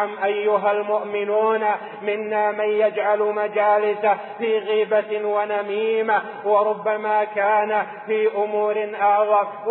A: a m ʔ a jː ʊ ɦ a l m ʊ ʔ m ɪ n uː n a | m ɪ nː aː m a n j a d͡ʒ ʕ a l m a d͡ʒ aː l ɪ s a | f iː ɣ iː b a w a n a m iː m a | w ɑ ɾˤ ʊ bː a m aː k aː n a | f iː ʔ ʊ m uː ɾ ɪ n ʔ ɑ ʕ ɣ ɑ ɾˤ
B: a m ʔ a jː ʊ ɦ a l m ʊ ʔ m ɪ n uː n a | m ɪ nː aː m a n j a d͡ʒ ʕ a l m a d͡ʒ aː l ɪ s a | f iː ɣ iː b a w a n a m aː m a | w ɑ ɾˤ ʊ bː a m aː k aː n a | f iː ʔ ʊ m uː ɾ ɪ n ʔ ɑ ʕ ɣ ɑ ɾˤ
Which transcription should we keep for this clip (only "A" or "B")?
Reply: A